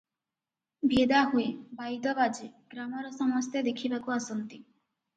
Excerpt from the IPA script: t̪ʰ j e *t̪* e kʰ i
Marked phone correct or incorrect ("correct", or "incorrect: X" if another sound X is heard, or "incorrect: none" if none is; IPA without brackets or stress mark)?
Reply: incorrect: d̪